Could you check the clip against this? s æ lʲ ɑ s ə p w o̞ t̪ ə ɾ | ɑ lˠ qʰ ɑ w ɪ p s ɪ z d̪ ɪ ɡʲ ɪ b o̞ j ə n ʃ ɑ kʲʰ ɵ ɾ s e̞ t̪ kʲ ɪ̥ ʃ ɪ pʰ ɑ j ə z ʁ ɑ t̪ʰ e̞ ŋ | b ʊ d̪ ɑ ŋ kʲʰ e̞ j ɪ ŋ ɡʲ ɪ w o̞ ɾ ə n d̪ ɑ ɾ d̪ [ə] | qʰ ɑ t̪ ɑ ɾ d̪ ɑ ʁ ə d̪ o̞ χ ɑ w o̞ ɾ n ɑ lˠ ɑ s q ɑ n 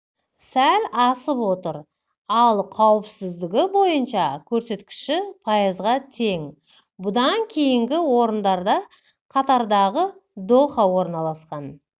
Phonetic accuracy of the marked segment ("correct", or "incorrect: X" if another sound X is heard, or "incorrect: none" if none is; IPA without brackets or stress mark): incorrect: ɑ